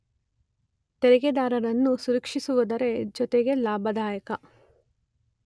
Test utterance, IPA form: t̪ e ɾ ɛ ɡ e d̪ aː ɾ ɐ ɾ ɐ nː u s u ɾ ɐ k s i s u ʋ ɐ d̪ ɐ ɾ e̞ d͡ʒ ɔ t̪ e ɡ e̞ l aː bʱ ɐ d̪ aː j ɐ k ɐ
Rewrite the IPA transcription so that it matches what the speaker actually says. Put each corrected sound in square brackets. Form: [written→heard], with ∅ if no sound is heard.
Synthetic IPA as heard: t̪ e ɾ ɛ ɡ e d̪ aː ɾ ɐ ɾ ɐ nː u s u ɾ ɐ k [s→ʂ] i s u ʋ ɐ d̪ ɐ ɾ e̞ d͡ʒ ɔ t̪ e ɡ e̞ l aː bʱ ɐ d̪ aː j ɐ k ɐ